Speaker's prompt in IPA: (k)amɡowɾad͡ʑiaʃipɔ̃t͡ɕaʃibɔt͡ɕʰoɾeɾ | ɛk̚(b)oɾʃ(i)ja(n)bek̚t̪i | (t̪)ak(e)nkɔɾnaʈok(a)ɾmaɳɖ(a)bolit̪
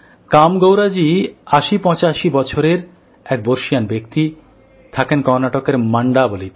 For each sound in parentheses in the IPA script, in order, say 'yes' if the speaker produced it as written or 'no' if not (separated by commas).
yes, yes, yes, yes, no, yes, no, yes